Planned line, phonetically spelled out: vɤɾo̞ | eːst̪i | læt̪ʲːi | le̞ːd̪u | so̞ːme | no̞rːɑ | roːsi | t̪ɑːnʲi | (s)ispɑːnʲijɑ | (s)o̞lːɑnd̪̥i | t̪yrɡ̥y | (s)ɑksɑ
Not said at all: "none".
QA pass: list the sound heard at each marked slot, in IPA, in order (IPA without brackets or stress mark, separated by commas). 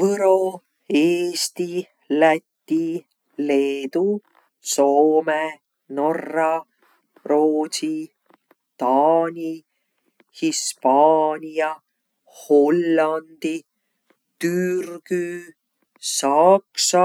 h, h, s